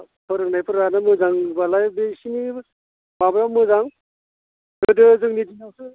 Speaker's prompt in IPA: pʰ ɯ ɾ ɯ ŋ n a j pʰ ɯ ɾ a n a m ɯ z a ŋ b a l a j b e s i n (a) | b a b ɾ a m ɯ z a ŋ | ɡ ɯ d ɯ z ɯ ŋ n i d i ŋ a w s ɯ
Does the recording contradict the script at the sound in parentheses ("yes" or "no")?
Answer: yes